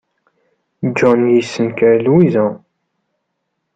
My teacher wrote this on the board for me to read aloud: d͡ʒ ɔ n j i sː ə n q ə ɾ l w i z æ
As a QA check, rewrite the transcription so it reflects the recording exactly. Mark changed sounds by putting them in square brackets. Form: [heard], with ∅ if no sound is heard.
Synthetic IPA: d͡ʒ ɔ n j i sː ə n [k] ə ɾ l w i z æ